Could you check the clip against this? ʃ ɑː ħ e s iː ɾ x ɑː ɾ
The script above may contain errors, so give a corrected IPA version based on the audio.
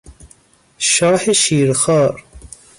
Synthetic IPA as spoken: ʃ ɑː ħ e ʃ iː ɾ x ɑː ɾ